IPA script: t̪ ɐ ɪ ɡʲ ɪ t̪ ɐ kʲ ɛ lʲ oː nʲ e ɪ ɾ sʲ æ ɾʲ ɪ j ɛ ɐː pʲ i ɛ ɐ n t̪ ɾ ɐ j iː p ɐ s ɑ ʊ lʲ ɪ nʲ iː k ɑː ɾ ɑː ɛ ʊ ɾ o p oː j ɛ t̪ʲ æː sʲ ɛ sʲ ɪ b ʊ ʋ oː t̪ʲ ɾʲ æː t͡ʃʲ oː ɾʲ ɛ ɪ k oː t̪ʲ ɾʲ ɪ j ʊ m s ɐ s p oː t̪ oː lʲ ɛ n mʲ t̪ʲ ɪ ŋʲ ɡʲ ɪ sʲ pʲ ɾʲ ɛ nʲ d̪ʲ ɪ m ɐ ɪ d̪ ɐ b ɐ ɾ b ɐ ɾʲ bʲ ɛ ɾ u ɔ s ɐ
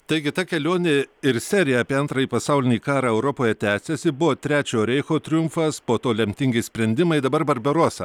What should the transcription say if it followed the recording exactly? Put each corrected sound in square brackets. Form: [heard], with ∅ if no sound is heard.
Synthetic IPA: t̪ ɐ ɪ ɡʲ ɪ t̪ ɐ kʲ ɛ lʲ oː nʲ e ɪ ɾ sʲ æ ɾʲ ɪ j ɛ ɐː pʲ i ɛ ɐ n t̪ ɾ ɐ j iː p ɐ s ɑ ʊ lʲ ɪ nʲ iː k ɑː ɾ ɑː ɛ ʊ ɾ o p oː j ɛ t̪ʲ æː sʲ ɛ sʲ ɪ b ʊ ʋ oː t̪ʲ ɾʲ æː t͡ʃʲ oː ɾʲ ɛ ɪ [x] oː t̪ʲ ɾʲ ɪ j ʊ m [f] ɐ s p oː t̪ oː lʲ ɛ [∅] mʲ t̪ʲ ɪ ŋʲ ɡʲ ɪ sʲ pʲ ɾʲ ɛ nʲ d̪ʲ ɪ m ɐ ɪ d̪ ɐ b ɐ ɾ b ɐ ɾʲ bʲ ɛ ɾ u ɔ s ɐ